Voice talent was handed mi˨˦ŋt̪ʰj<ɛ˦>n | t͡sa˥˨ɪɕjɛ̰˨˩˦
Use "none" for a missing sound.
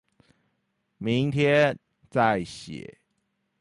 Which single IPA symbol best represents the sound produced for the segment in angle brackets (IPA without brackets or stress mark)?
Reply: ɛ˦